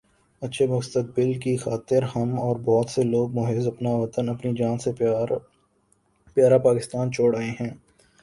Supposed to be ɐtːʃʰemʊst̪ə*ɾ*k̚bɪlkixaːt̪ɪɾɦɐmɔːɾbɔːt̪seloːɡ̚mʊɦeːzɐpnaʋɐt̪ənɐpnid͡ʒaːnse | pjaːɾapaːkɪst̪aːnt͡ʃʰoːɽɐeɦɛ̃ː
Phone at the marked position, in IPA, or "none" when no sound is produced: none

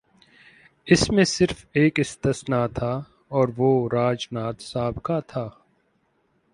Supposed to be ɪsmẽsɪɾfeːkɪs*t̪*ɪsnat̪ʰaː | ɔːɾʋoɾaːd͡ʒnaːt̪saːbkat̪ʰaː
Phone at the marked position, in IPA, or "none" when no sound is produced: t̪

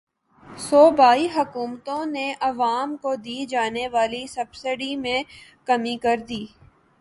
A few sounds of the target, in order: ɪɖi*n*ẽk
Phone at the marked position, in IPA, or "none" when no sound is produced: m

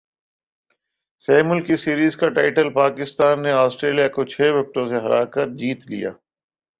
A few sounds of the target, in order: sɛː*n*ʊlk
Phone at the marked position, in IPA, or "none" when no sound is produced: m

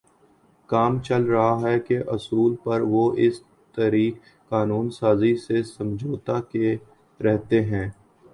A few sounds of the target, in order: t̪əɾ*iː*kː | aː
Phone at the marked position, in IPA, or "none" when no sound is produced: iː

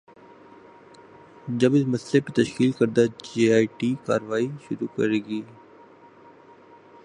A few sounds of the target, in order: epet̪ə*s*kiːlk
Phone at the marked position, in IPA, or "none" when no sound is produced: ʃ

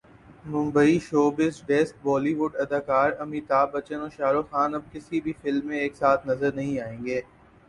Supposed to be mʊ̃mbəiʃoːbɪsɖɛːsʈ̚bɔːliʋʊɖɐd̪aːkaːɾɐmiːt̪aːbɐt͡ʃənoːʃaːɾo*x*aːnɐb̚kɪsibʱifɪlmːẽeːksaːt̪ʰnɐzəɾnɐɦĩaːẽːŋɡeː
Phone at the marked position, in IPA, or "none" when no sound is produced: x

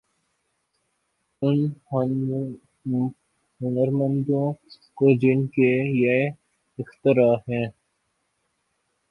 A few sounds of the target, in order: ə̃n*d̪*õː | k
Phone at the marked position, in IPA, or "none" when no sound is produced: d̪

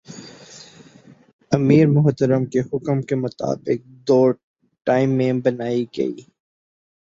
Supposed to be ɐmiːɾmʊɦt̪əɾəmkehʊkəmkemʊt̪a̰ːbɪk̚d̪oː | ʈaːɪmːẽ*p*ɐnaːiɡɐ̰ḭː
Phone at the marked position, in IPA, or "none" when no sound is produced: b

